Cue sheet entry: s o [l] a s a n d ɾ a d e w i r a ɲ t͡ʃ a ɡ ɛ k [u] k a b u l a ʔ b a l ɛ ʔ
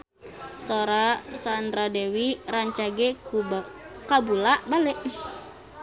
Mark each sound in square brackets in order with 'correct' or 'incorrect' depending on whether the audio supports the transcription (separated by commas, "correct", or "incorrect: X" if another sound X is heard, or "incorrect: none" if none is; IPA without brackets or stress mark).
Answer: incorrect: ɾ, correct